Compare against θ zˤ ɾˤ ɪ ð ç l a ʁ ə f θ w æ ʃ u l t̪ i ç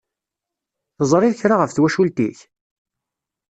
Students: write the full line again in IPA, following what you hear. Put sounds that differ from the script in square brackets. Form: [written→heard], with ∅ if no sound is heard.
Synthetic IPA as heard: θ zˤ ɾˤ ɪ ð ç [l→ɾ] a ʁ ə f θ w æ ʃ u l t̪ i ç